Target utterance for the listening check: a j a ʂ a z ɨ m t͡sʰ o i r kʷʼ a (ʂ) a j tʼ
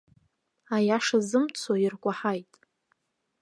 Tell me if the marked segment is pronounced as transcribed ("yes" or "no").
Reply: no